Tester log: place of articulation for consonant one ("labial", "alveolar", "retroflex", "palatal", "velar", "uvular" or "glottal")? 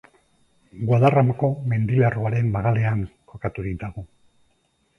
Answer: velar